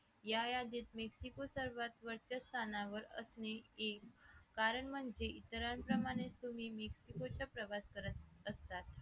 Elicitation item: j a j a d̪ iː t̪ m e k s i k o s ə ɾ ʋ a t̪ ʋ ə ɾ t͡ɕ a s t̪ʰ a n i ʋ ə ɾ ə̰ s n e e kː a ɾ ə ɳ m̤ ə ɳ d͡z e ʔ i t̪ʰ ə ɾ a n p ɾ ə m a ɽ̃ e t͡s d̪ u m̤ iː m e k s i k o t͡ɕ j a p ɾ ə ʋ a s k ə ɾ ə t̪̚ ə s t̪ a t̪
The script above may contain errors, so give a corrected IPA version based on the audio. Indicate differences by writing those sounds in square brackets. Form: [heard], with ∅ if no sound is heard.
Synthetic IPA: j a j a d̪ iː t̪ m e k s i k o s ə ɾ ʋ a t̪ ʋ ə ɾ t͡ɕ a s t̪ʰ a n [a] ʋ ə ɾ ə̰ s n e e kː a ɾ ə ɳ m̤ ə ɳ d͡z e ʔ i [t̪] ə ɾ a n p ɾ ə m a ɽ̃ e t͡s [t̪] u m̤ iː m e k s i k o t͡ɕ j a p ɾ ə ʋ a s k ə ɾ ə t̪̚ ə s t̪ a t̪